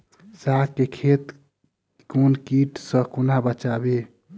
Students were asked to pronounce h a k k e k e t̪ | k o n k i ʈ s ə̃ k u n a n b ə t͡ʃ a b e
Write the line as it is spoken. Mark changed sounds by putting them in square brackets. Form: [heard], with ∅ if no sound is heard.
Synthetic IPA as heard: [s] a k k e [kʰ] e t̪ | k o n k i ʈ s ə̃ k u n a [∅] b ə t͡ʃ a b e